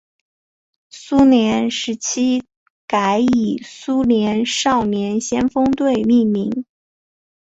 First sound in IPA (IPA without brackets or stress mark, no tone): s